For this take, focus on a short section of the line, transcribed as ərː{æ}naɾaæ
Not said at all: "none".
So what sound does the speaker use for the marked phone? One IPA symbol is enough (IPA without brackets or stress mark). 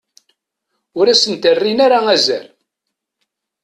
i